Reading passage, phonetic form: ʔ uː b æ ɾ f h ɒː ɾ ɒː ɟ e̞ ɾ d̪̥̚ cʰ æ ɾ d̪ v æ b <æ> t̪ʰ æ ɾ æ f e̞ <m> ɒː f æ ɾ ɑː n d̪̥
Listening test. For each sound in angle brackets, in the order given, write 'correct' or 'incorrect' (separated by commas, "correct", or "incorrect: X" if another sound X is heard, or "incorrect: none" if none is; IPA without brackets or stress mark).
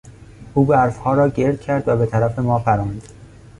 incorrect: e, correct